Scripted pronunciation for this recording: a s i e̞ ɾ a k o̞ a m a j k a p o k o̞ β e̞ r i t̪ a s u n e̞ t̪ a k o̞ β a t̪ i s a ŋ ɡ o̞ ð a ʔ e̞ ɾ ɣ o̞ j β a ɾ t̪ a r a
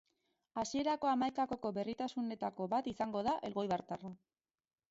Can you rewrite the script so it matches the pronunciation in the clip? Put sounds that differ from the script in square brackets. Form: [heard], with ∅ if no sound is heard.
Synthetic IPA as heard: a s i e̞ ɾ a k o̞ a m a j k a [k] o k o̞ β e̞ r i t̪ a s u n e̞ t̪ a k o̞ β a t̪ i s a ŋ ɡ o̞ ð a ʔ e̞ [l] ɣ o̞ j β a ɾ t̪ a r a

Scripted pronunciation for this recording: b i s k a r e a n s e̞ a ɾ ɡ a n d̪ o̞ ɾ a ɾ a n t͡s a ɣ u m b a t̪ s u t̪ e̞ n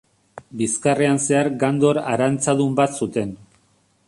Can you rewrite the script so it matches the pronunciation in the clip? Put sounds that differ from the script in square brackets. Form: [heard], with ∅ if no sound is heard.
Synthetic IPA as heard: b i s k a r e a n s e̞ a ɾ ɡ a n d̪ o̞ ɾ a ɾ a n t͡s a [ð] u m b a t̪ s u t̪ e̞ n

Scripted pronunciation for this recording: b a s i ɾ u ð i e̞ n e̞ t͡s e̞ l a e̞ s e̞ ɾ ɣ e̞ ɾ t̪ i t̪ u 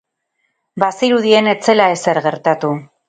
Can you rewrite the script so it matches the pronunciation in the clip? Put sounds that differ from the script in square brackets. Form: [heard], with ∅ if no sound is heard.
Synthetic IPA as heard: b a s i ɾ u ð i e̞ n e̞ t͡s e̞ l a e̞ s e̞ ɾ ɣ e̞ ɾ t̪ [a] t̪ u

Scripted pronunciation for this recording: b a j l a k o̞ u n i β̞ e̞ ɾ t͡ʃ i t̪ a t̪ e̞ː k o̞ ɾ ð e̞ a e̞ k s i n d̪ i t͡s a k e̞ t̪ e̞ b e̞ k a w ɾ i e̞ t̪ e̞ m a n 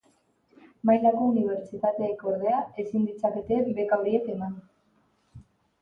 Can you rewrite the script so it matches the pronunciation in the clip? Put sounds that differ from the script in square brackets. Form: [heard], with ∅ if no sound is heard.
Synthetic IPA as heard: [m] a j l a k o̞ u n i β̞ e̞ ɾ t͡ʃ i t̪ a t̪ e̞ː k o̞ ɾ ð e̞ a e̞ [∅] s i n d̪ i t͡s a k e̞ t̪ e̞ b e̞ k a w ɾ i e̞ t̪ e̞ m a n

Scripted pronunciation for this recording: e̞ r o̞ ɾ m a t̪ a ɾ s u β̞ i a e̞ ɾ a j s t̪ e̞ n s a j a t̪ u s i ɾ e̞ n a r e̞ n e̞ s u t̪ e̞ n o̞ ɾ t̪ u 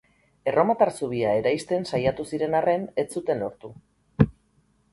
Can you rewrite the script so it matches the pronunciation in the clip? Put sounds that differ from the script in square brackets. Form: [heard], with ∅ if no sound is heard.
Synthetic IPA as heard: e̞ r o̞ [∅] m a t̪ a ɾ s u β̞ i a e̞ ɾ a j s t̪ e̞ n s a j a t̪ u s i ɾ e̞ n a r e̞ n e̞ [t͡s] u t̪ e̞ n o̞ ɾ t̪ u

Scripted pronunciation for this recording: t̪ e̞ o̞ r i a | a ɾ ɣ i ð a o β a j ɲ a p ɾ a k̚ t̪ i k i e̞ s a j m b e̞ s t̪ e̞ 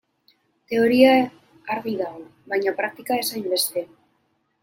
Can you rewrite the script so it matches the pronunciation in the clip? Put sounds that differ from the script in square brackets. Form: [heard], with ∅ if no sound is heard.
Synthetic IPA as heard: t̪ e̞ o̞ [ɾ] i a | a ɾ ɣ i ð a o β a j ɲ a p ɾ a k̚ t̪ i k [a] e̞ s a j m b e̞ s t̪ e̞

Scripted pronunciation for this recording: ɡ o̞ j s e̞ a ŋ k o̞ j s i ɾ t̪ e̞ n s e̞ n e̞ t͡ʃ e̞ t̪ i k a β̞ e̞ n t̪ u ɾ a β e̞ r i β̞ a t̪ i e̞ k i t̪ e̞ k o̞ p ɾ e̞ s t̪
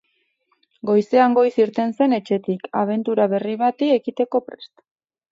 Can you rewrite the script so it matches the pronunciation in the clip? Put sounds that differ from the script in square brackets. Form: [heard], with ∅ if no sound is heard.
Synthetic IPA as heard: ɡ o̞ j s e̞ a ŋ [ɡ] o̞ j s i ɾ t̪ e̞ n s e̞ n e̞ t͡ʃ e̞ t̪ i k a β̞ e̞ n t̪ u ɾ a β e̞ r i β̞ a t̪ i e̞ k i t̪ e̞ k o̞ p ɾ e̞ s t̪

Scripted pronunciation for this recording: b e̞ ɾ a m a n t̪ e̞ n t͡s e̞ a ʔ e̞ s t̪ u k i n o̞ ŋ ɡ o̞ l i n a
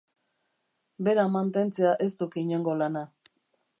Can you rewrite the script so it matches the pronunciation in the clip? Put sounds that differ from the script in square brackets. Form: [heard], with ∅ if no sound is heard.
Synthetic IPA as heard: b e̞ ɾ a m a n t̪ e̞ n t͡s e̞ a ʔ e̞ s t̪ u k i [ɲ] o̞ ŋ ɡ o̞ l [a] n a

